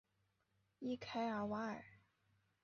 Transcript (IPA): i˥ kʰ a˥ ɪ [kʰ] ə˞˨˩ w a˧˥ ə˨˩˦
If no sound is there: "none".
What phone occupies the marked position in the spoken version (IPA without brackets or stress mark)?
none